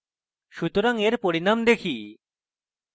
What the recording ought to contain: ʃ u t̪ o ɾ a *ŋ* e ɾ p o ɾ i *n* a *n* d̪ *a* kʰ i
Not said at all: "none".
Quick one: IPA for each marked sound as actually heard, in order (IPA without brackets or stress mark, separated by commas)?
ŋ, n, m, e